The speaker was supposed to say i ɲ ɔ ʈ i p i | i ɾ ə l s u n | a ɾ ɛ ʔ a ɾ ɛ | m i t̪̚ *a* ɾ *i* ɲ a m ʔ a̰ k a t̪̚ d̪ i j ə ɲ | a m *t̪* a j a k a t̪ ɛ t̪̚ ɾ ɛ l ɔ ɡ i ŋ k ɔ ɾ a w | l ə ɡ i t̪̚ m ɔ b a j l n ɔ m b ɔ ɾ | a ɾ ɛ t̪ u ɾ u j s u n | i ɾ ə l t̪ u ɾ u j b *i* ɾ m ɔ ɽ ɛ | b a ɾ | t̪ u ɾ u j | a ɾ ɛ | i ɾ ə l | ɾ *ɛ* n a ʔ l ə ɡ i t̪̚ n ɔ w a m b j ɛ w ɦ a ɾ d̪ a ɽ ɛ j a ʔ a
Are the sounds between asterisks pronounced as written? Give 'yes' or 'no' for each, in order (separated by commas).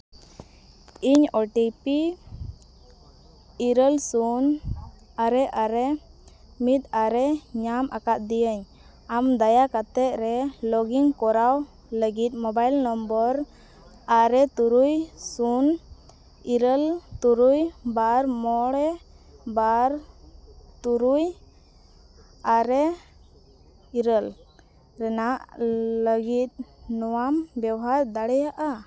yes, no, no, no, yes